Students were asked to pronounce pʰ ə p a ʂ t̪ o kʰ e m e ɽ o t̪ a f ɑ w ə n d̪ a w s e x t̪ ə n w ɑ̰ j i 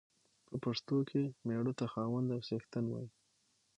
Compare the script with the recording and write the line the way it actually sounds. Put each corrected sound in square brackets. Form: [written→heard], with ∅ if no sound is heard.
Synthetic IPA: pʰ ə p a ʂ t̪ o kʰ e m e ɽ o t̪ a [f→x] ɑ w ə n d̪ a w s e x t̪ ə n w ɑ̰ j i

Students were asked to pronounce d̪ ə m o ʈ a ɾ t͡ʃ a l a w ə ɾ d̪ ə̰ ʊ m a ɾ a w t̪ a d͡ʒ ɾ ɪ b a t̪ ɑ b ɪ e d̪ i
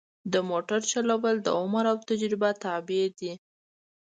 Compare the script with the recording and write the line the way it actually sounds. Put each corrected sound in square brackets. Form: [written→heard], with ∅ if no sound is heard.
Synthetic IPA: d̪ ə m o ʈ a ɾ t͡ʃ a l a w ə [ɾ→l] d̪ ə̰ ʊ m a ɾ a w t̪ a d͡ʒ ɾ ɪ b a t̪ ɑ b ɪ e d̪ i

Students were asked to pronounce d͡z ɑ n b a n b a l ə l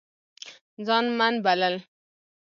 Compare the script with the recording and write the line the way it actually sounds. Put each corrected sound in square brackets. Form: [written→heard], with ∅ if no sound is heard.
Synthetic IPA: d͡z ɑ n [b→m] a n b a l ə l

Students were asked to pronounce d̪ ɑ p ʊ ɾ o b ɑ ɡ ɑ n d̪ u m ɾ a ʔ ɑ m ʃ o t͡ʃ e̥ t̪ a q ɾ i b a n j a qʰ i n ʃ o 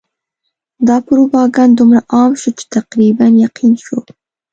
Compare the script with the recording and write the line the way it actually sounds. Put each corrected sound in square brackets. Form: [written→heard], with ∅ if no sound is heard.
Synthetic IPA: d̪ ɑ p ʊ ɾ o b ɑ ɡ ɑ n d̪ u m ɾ a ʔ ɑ m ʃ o t͡ʃ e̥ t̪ a q ɾ i b a n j a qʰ i n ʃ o

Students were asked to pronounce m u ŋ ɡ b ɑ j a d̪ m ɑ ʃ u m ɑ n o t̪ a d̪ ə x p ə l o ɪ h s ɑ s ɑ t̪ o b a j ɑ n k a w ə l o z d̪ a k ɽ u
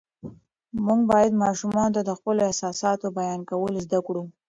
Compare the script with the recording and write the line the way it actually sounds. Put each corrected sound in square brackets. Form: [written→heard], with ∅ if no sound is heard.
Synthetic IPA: m u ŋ ɡ b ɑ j a d̪ m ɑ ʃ u m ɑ n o t̪ a d̪ ə x p ə l o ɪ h s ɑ s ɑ t̪ o b a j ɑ n k a w ə l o z d̪ a k ɽ u

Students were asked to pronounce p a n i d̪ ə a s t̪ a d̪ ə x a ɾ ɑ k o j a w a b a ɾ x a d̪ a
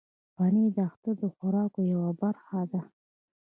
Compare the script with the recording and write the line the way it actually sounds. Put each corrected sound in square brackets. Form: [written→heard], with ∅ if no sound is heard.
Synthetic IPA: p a n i d̪ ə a [s→x] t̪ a d̪ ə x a ɾ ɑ k o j a w a b a ɾ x a d̪ a

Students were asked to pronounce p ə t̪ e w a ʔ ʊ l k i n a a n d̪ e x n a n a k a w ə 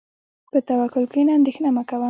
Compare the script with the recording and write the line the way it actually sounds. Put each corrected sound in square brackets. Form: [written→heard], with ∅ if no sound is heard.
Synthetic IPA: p ə t̪ [e→a] w a [ʔ→k] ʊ l k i n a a n d̪ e x n a [n→m] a k a w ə

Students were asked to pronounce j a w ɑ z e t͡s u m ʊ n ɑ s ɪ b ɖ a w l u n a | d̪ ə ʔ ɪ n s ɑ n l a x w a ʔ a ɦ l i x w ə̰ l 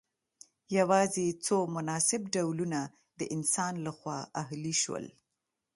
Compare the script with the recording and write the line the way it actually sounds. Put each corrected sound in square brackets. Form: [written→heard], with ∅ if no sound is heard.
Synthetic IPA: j a w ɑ z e t͡s [u→o] m ʊ n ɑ s ɪ b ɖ a w l u n a | d̪ ə ʔ ɪ n s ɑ n l a x w [a→ɑ] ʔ a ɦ l i [x→ʃ] w ə̰ l

